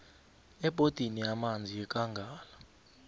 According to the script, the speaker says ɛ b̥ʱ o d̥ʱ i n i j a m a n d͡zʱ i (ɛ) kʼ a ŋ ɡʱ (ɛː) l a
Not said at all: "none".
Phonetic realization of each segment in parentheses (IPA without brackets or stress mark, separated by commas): ɛ, aː